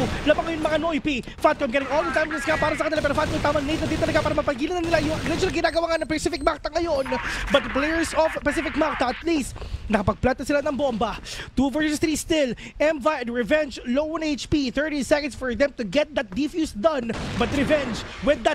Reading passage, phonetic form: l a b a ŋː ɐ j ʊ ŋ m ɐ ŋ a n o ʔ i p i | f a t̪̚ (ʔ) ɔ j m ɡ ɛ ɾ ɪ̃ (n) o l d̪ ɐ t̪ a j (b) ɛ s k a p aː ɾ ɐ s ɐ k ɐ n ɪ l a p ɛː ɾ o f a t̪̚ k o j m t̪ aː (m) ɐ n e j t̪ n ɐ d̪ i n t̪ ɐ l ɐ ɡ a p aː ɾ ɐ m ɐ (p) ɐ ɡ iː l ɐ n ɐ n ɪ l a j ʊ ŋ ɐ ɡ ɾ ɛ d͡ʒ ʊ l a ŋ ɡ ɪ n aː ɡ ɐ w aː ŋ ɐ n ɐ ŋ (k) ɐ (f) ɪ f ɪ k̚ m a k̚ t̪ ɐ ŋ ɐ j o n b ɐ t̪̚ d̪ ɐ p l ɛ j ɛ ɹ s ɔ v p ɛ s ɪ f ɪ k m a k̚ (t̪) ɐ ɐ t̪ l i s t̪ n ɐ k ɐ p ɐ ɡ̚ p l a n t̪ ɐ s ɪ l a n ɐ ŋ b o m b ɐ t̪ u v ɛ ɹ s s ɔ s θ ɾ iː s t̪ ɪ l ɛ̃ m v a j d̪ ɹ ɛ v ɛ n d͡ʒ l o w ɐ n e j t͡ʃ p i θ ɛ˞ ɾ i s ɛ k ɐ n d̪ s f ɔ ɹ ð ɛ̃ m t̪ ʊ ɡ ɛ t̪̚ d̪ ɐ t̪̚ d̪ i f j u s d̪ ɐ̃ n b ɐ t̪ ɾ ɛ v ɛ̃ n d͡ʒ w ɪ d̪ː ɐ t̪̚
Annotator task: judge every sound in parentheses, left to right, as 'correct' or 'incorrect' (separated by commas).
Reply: incorrect, incorrect, incorrect, correct, correct, incorrect, incorrect, correct